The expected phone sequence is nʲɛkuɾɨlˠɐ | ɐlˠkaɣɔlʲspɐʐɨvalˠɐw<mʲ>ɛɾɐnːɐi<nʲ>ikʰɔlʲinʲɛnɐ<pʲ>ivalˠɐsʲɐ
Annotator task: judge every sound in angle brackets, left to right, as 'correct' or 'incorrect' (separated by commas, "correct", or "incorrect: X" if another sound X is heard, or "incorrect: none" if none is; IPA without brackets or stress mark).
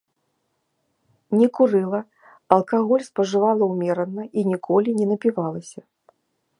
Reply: correct, correct, correct